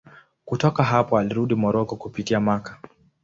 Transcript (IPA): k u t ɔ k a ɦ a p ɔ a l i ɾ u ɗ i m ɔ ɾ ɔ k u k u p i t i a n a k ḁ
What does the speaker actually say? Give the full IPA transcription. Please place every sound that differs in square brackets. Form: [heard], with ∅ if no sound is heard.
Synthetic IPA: k u t ɔ k a ɦ a p ɔ a l i ɾ u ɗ i m ɔ ɾ ɔ k [ɔ] k u p i t i a [m] a k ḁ